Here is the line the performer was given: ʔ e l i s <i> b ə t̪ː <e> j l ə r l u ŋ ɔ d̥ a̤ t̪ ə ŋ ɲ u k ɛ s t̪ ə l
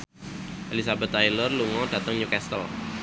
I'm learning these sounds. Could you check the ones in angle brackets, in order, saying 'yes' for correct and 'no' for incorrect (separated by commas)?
no, no